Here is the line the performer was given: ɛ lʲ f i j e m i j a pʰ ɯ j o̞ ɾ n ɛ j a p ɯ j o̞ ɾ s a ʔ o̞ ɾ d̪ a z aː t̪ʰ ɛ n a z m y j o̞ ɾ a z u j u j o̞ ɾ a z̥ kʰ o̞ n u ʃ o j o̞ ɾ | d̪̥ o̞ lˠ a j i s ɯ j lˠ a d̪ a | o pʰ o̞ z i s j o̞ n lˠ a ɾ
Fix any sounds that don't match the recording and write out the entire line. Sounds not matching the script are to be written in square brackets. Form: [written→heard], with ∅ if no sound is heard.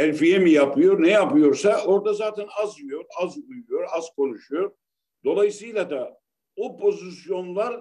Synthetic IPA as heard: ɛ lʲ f i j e m i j a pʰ ɯ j o̞ ɾ n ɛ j a p ɯ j o̞ ɾ s a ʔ o̞ ɾ d̪ a z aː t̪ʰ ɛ n a z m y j o̞ ɾ a z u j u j o̞ ɾ a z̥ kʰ o̞ n u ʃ [o→u] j o̞ ɾ | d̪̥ o̞ lˠ a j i s ɯ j lˠ a d̪ a | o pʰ o̞ z i s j o̞ n lˠ a ɾ